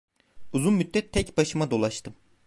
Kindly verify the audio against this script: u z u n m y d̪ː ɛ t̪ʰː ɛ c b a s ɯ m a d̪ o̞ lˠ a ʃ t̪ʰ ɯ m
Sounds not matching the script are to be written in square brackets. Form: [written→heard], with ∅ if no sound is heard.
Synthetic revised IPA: u z u n m y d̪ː ɛ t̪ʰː ɛ c b a [s→ʃ] ɯ m a d̪ o̞ lˠ a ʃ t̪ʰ ɯ m